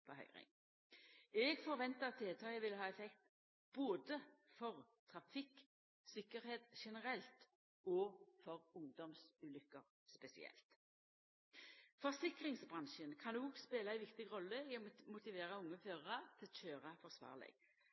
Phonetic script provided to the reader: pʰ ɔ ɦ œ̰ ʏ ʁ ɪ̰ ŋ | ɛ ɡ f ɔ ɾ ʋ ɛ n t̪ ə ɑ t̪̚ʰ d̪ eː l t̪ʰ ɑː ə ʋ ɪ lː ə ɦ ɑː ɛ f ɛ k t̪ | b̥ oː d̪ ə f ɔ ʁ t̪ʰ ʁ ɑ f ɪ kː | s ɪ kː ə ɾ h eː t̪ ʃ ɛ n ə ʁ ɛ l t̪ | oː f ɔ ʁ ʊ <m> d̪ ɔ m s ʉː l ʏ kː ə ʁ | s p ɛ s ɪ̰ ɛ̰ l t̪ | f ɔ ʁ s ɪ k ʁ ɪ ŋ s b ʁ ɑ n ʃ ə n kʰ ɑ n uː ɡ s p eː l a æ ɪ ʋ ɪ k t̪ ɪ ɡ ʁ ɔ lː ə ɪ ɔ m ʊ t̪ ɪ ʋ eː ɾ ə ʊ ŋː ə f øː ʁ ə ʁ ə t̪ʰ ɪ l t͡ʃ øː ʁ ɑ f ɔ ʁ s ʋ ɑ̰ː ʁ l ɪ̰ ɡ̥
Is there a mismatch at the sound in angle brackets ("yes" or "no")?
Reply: yes